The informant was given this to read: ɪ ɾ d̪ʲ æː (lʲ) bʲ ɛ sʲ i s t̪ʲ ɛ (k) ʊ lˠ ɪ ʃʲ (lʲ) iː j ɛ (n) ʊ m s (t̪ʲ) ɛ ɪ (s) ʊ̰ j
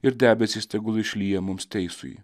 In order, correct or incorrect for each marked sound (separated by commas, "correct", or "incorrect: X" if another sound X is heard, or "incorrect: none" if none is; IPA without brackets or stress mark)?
incorrect: none, incorrect: ɡ, correct, incorrect: m, correct, correct